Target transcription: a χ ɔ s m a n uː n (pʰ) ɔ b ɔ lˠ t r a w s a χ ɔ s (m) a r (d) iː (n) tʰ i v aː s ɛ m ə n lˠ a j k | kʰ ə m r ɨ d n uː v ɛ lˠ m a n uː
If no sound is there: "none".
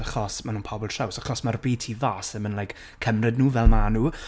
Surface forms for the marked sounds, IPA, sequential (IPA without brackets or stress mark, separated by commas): pʰ, m, b, none